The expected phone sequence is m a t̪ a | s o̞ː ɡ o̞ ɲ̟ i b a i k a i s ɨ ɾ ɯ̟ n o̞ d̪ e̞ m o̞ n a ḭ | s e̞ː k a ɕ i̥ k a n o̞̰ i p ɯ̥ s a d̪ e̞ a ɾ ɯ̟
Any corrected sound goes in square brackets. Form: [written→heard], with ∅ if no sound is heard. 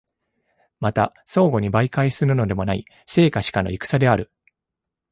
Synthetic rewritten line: m a t̪ a | s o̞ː ɡ o̞ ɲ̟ i b a i k a i s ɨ ɾ ɯ̟ n o̞ d̪ e̞ m o̞ n a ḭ | s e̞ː k a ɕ i̥ k a n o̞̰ i [p→k] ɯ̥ s a d̪ e̞ a ɾ ɯ̟